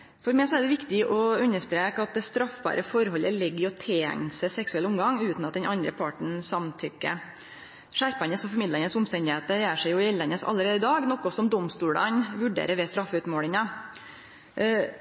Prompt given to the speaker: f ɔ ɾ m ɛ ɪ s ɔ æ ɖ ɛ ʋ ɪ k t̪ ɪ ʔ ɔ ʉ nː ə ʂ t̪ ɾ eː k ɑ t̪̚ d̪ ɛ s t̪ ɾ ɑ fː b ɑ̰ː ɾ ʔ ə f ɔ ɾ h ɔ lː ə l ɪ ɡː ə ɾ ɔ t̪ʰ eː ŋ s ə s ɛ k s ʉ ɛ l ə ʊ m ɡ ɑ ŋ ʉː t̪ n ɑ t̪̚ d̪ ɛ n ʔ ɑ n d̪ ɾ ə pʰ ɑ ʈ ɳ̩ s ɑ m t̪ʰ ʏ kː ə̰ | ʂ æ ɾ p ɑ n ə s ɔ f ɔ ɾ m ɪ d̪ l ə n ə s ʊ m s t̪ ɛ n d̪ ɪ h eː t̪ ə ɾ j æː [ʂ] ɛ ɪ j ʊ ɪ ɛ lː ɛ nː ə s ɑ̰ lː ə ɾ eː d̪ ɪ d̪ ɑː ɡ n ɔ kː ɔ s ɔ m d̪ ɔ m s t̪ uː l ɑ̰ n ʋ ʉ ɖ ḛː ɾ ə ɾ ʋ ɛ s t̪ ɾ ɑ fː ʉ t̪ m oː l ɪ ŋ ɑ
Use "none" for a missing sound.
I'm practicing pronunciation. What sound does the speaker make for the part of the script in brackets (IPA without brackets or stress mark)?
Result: ʂ